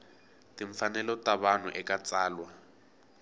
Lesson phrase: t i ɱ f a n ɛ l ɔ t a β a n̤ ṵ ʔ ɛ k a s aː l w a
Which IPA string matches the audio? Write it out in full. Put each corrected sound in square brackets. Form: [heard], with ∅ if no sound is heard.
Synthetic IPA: t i ɱ f a n ɛ l ɔ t a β a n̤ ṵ ʔ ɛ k a [t͡s] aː l w a

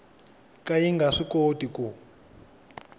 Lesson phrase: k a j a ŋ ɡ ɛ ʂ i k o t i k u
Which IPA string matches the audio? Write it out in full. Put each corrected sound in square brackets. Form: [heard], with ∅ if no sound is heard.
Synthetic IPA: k a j [i] ŋ ɡ [a] ʂ i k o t i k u

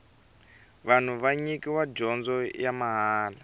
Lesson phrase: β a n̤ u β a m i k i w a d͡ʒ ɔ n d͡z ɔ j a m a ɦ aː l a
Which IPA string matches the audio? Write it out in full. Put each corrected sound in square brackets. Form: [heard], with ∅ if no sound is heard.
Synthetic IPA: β a n̤ u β a [ɲ] i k i w a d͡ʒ ɔ n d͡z ɔ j a m a ɦ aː l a

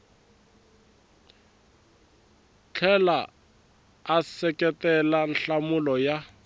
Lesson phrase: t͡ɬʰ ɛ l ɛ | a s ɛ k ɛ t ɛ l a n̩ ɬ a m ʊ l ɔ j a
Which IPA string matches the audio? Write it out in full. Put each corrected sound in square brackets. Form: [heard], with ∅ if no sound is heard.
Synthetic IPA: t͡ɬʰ ɛ l [a] | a s ɛ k ɛ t ɛ l a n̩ ɬ a m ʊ l ɔ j a

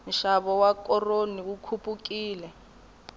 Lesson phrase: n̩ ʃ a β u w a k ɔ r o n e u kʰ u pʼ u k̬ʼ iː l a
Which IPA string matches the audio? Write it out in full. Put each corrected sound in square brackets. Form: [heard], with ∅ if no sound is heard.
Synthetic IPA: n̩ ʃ a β [ɔ] w a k ɔ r o n [i] u kʰ u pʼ u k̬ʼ iː l [ɛ]

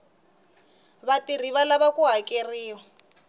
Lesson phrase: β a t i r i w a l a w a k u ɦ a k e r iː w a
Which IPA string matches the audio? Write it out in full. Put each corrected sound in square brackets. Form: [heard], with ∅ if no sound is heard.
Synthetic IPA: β a t i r i [β] a l a [β] a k u ɦ a k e r iː w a

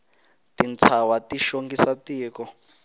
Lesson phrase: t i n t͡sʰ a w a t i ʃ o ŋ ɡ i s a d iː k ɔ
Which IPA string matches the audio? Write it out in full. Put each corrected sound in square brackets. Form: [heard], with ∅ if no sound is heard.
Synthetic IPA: t i n t͡sʰ a w a t i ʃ o ŋ ɡ i s a [t] iː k ɔ

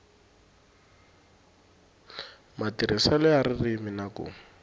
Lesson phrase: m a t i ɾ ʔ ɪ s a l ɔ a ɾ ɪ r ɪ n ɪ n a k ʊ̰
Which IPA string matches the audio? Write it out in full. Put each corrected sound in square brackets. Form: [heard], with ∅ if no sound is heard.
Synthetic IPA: m a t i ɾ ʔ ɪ s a l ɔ a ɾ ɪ r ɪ [m] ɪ n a k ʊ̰

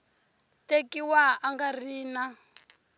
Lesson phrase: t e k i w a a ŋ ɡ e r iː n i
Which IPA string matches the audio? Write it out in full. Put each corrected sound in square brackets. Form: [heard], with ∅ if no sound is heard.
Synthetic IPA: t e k i w a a ŋ ɡ [a] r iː n [a]

